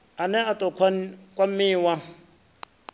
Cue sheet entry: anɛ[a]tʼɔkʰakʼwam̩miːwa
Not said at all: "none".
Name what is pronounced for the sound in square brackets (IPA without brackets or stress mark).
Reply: a